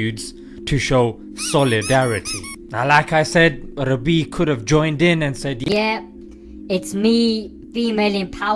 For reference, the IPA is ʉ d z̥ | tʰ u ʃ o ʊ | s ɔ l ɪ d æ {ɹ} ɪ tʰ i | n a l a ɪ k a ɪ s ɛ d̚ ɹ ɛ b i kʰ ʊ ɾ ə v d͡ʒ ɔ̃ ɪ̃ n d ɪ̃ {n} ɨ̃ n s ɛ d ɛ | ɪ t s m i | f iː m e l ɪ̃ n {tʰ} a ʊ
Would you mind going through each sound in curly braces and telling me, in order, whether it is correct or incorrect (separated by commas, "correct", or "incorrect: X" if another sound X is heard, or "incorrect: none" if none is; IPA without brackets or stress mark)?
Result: correct, correct, incorrect: pʰ